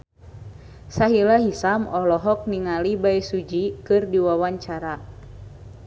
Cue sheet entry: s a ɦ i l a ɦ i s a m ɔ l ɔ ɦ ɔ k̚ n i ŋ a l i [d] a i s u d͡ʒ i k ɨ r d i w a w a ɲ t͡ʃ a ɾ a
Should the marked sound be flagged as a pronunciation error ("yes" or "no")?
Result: yes